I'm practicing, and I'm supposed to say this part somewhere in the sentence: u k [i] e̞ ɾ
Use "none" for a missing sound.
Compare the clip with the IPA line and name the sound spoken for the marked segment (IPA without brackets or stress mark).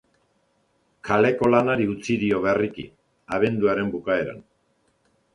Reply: a